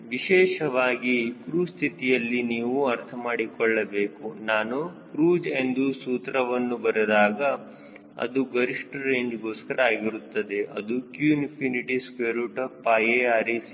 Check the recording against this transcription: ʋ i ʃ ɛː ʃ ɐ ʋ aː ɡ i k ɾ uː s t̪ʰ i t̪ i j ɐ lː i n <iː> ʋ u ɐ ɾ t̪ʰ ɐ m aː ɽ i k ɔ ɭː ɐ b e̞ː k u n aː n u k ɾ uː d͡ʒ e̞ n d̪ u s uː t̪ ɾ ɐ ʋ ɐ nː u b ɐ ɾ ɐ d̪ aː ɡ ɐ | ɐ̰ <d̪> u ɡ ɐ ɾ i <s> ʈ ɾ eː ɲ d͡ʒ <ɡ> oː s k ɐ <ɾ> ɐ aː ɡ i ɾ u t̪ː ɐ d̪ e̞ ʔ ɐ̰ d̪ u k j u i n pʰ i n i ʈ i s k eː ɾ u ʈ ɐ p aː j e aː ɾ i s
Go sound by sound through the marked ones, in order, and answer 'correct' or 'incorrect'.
correct, correct, incorrect: ʂ, correct, correct

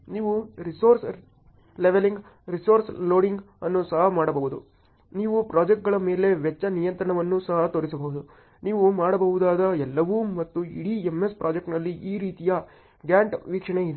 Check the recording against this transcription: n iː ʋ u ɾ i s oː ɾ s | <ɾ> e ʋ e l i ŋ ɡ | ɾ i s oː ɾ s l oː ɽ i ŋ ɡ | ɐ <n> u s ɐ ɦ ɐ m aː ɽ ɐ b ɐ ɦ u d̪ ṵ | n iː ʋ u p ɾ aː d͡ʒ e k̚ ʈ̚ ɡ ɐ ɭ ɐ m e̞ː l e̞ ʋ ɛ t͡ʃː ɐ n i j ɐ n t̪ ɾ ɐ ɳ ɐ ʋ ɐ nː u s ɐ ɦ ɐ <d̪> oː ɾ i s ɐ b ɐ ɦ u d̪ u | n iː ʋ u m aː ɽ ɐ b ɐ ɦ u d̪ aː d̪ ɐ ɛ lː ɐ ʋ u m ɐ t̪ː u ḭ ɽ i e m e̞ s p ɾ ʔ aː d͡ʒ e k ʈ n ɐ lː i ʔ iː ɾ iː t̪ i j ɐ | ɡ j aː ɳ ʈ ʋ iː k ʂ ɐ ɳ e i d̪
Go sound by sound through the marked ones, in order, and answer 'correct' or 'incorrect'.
incorrect: l, incorrect: nː, incorrect: t̪

